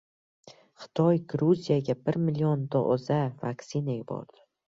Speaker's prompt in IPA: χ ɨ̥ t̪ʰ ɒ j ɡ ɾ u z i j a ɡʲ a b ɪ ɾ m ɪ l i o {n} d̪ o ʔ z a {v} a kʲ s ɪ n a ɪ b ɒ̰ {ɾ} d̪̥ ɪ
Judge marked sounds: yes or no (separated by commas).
yes, yes, yes